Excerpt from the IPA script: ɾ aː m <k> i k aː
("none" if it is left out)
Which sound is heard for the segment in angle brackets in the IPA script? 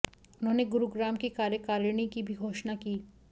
k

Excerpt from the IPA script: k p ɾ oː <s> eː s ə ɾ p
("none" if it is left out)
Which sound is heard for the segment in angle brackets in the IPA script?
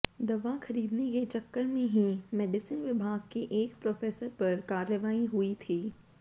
f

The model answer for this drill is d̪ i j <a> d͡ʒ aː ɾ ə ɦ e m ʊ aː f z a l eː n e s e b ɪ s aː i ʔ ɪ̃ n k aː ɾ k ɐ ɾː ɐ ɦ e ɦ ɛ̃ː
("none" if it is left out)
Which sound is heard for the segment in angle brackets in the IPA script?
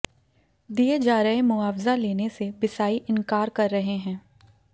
e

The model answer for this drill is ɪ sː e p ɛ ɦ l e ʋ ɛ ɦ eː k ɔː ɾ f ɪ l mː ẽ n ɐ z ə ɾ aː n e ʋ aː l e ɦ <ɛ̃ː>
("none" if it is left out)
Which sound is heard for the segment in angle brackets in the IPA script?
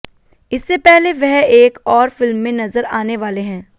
ɛ̃ː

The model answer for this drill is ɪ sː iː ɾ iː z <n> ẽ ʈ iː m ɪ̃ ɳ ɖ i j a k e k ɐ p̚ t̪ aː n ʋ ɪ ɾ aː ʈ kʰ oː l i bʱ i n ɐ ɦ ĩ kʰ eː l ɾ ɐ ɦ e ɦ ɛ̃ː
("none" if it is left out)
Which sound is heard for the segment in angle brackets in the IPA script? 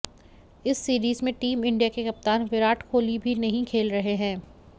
m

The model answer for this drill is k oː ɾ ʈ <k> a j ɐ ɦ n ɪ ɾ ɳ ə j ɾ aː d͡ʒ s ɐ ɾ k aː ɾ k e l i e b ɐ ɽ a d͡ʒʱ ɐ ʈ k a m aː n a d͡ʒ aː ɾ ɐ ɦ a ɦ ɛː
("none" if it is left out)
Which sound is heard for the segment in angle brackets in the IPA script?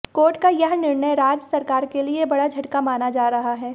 k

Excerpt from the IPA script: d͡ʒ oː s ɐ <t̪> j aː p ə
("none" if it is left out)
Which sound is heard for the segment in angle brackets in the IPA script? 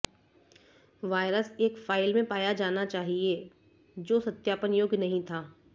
t̪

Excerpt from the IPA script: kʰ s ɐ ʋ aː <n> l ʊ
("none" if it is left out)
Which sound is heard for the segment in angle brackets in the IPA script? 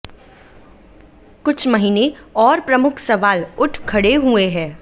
none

